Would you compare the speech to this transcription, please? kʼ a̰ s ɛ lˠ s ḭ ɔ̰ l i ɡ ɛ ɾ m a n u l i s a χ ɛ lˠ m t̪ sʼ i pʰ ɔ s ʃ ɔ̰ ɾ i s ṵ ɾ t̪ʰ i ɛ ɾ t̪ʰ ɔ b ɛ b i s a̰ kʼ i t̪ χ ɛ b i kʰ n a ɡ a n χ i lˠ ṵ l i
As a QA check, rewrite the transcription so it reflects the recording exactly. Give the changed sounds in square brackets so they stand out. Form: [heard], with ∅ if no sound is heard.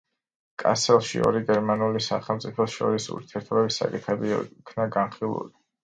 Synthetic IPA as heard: kʼ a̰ s ɛ lˠ [ʃ] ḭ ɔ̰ [ɾ] i ɡ ɛ ɾ m a n u l i s a χ ɛ lˠ m t̪ sʼ i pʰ ɔ s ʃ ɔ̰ ɾ i s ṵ ɾ t̪ʰ i ɛ ɾ t̪ʰ ɔ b ɛ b i s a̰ kʼ i t̪ χ ɛ b i kʰ n a ɡ a n χ i lˠ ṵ l i